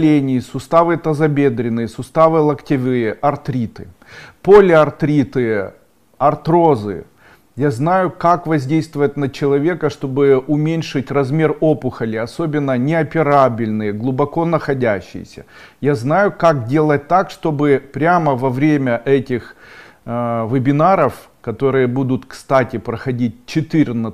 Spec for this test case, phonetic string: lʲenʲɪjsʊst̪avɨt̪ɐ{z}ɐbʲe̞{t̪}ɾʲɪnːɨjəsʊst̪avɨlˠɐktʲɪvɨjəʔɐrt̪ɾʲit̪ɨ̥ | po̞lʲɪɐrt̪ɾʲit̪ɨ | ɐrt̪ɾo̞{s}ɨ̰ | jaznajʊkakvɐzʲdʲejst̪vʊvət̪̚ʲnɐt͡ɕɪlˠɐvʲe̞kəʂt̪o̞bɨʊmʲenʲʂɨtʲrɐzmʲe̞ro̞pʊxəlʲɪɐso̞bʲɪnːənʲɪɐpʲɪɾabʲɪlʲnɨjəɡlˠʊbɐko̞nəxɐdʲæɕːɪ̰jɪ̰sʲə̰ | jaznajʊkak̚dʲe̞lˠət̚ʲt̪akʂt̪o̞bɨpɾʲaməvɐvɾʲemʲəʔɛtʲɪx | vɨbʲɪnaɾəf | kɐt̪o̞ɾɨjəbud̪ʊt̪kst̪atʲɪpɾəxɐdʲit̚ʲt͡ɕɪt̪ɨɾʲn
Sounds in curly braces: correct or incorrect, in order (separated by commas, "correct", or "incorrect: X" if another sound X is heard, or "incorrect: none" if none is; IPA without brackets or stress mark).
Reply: correct, incorrect: d̪, incorrect: z